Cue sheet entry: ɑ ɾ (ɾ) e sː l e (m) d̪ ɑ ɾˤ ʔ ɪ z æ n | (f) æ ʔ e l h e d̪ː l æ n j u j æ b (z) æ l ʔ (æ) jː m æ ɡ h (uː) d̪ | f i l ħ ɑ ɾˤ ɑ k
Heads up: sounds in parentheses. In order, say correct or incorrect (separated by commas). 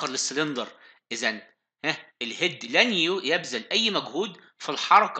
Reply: incorrect, incorrect, incorrect, correct, correct, correct